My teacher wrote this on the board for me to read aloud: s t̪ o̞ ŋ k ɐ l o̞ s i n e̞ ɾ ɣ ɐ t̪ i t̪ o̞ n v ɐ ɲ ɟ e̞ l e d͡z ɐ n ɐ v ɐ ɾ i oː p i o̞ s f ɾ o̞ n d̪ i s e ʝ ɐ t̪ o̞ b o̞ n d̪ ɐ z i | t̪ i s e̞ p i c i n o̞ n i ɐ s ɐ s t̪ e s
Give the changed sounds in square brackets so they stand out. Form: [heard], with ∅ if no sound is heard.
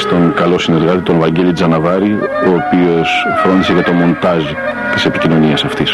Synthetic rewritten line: s t̪ o̞ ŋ k ɐ l o̞ s i n e̞ ɾ ɣ ɐ t̪ i t̪ o̞ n v ɐ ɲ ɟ e̞ l [i] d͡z ɐ n ɐ v ɐ ɾ i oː p i o̞ s f ɾ o̞ n d̪ i s e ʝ ɐ t̪ o̞ [m] o̞ n [t̪] ɐ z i | t̪ i s e̞ p i c i n o̞ n i ɐ s ɐ [f] t̪ [i] s